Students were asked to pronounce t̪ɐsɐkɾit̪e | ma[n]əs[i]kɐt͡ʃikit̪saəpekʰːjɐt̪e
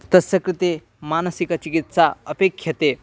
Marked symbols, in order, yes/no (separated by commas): yes, yes